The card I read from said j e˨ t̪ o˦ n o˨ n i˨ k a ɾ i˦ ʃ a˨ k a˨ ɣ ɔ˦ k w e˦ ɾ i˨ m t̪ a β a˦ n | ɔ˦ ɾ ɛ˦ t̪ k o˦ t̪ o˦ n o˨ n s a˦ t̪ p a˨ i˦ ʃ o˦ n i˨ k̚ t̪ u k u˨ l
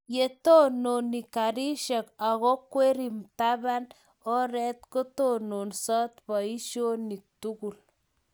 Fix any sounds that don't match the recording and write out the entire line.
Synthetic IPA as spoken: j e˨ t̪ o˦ n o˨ n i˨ k a ɾ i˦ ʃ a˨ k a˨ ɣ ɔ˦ k w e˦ ɾ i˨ m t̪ a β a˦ n | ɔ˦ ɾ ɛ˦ t̪ k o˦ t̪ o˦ n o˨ n s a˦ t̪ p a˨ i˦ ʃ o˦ n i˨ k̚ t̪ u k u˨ l